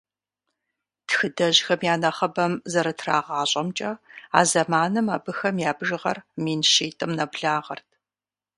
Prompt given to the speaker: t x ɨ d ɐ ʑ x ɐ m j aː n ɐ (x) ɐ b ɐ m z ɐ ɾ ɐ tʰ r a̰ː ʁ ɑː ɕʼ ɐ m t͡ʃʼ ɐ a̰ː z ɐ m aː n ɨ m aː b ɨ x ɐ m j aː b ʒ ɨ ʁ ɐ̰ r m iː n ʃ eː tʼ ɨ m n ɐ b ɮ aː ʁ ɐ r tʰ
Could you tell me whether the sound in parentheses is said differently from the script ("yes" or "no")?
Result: yes